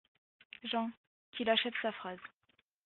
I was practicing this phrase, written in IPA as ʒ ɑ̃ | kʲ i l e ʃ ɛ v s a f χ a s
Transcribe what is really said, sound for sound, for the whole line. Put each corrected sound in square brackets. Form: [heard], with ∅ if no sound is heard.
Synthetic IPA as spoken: ʒ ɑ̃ | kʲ i l [a] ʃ ɛ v s a f χ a [z]